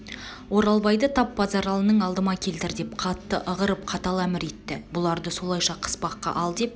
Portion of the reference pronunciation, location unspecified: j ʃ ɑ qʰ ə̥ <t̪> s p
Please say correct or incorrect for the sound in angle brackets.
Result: incorrect